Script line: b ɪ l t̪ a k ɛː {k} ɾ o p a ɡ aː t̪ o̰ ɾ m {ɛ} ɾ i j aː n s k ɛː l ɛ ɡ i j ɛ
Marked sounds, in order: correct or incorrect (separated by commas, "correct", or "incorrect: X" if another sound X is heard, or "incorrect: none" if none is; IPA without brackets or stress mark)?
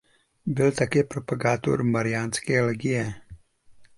incorrect: p, incorrect: a